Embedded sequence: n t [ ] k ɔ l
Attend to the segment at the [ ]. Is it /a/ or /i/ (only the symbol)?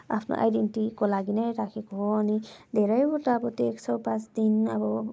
i